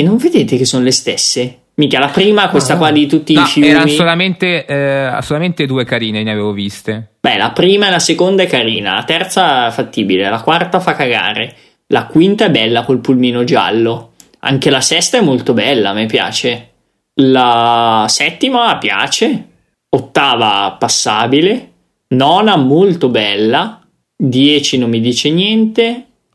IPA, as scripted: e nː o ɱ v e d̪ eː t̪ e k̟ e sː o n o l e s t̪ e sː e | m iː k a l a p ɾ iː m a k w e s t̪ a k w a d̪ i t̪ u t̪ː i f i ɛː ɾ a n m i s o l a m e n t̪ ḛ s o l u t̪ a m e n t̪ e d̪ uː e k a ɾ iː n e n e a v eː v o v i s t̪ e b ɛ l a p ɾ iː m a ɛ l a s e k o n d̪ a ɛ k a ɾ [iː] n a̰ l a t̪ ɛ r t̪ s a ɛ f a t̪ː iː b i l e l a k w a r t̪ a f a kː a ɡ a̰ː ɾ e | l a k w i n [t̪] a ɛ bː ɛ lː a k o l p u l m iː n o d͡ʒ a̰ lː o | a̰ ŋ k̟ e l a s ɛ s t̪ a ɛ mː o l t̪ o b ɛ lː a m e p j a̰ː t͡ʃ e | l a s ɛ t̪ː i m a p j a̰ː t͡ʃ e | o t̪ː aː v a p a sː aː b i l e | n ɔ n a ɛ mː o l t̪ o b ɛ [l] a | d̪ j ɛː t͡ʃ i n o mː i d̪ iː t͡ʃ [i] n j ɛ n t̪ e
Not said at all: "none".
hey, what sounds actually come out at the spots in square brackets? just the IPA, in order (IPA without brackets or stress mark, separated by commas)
iː, t̪, lː, e